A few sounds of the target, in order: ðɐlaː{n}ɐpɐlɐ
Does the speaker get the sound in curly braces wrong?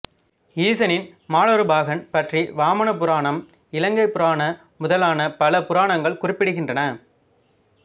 no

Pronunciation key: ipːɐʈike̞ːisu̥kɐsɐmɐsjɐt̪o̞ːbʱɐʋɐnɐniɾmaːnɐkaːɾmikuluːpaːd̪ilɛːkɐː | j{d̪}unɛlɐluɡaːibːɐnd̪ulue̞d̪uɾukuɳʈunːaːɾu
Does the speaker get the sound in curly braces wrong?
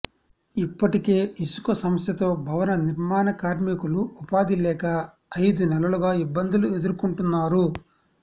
no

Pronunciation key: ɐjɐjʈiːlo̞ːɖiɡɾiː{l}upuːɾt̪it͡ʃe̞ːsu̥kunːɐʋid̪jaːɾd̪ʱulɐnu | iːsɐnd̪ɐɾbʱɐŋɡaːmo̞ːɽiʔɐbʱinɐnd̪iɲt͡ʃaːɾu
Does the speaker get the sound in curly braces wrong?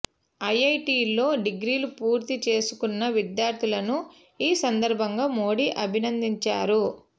no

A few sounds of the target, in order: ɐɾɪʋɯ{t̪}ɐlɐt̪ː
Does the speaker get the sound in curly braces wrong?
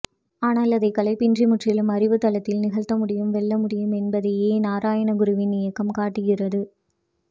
no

